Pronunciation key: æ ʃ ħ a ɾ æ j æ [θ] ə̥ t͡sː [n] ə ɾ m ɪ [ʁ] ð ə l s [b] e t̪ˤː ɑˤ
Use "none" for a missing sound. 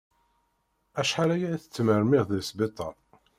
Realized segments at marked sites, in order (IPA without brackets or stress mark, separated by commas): θ, m, ʁ, b